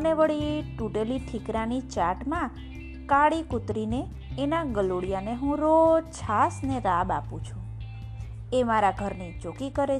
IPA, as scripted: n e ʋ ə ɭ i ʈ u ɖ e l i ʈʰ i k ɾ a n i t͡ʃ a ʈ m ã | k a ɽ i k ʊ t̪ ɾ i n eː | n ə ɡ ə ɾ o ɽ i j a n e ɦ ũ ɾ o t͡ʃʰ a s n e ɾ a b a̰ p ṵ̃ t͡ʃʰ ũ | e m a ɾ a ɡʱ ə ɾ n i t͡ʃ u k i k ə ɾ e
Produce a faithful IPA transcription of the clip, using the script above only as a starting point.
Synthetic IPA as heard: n e ʋ ə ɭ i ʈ u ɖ e l i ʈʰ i k ɾ a n i t͡ʃ a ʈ m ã | k a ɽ i k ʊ t̪ ɾ i n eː | n a ɡ ə l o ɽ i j a n e ɦ ũ ɾ o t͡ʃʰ a s n e ɾ a b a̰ p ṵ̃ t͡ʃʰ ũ | e m a ɾ a ɡʱ ə ɾ n i t͡ʃ o k i k ə ɾ e